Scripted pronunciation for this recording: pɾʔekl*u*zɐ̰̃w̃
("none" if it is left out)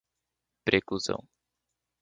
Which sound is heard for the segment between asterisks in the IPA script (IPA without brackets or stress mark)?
u